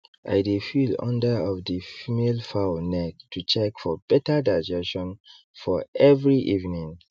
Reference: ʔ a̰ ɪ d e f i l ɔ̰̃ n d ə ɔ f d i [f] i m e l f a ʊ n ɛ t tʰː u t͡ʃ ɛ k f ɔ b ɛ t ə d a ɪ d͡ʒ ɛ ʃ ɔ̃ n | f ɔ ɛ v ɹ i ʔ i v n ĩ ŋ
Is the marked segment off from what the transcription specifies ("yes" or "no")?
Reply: no